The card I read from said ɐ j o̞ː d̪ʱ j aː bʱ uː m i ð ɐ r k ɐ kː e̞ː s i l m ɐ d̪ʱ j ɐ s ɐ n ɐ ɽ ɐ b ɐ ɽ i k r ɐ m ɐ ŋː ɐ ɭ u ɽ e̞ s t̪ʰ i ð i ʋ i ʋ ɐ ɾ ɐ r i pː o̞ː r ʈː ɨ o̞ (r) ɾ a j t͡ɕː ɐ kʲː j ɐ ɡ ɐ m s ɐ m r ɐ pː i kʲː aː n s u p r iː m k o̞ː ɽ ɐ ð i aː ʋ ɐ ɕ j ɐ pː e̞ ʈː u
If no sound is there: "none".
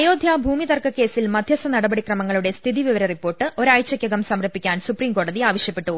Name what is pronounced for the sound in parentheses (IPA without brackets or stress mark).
none